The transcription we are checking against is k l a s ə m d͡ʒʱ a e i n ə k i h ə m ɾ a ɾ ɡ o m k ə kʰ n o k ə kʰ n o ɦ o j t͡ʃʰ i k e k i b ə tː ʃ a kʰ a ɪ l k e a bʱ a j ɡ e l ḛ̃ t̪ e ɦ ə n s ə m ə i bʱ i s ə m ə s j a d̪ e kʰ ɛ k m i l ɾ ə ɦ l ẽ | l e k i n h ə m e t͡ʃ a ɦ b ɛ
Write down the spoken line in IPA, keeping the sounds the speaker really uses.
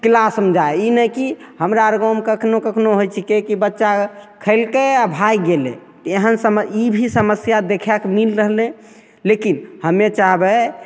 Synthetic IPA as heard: k l a s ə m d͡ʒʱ a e i n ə k i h ə m ɾ a ɾ ɡ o m k ə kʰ n o k ə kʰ n o ɦ o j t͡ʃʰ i k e k i b ə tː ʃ a kʰ ə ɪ l k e a bʱ a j ɡ e l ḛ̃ t̪ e ɦ ə n s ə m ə i bʱ i s ə m ə s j a d̪ e kʰ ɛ k m i l ɾ ə ɦ l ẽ | l e k i n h ə m e t͡ʃ a ɦ b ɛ